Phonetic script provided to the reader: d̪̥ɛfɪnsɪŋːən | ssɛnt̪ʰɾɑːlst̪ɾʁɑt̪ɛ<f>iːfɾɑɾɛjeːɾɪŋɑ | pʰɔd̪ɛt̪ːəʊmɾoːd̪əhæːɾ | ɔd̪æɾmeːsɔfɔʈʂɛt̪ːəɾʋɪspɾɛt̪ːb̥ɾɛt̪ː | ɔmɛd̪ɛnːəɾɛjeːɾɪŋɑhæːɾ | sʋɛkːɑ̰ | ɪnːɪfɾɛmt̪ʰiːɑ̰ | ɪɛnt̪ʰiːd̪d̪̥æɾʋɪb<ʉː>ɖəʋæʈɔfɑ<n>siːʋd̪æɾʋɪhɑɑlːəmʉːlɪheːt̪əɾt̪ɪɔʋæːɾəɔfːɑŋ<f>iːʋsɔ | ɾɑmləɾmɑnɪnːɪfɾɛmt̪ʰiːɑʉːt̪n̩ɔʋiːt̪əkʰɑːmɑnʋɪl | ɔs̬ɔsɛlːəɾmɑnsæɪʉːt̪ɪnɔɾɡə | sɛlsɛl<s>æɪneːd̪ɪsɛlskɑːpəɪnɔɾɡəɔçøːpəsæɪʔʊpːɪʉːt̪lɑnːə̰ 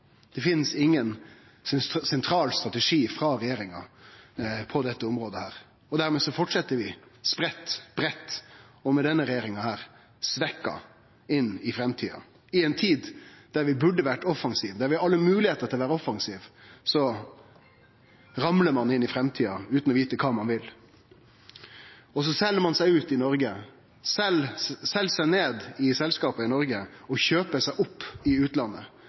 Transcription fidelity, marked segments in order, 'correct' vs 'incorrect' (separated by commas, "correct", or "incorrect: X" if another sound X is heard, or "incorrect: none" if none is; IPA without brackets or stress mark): incorrect: ʂ, incorrect: ʉ, incorrect: ŋ, incorrect: s, correct